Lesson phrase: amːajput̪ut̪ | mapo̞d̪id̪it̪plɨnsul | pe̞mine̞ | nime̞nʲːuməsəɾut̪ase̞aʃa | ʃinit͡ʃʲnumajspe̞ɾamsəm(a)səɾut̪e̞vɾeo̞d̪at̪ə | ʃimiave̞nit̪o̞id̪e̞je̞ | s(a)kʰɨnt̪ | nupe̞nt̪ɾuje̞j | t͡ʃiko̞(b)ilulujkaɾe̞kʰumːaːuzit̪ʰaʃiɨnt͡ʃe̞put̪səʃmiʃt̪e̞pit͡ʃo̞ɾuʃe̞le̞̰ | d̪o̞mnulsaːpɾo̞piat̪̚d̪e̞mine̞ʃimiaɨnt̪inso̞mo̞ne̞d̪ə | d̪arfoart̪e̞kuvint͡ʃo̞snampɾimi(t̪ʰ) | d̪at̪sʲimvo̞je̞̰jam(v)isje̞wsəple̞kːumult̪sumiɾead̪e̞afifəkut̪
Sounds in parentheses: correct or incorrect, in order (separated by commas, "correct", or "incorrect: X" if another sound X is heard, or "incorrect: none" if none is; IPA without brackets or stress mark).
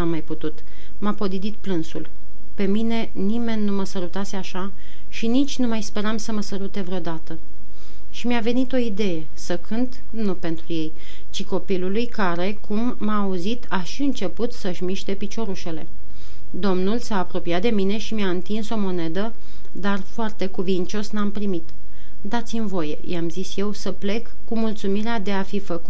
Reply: incorrect: ə, incorrect: ə, incorrect: p, incorrect: t̪, incorrect: z